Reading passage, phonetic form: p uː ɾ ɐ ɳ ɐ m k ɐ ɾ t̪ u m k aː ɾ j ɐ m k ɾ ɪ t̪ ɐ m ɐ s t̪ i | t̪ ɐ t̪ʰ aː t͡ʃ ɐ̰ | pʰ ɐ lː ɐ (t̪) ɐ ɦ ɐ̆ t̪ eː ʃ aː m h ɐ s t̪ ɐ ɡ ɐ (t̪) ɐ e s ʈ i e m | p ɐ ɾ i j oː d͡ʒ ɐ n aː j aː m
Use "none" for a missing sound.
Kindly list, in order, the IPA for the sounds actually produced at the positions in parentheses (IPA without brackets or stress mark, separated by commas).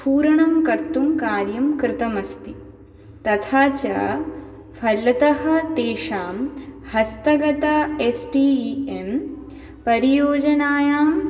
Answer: t̪, t̪